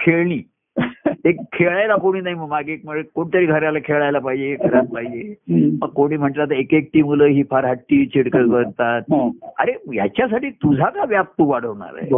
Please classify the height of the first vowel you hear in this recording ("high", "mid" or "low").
mid